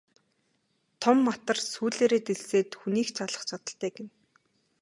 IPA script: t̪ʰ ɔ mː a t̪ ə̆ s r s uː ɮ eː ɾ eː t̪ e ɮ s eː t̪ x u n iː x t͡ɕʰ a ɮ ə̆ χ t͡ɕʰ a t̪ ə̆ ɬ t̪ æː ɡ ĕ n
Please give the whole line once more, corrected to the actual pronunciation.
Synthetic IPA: t̪ʰ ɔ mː a t̪ ə̆ r s uː ɮ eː ɾ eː t̪ e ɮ s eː t̪ x u n iː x t͡ɕʰ a ɮ ə̆ χ t͡ɕʰ a t̪ ə̆ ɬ t̪ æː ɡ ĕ n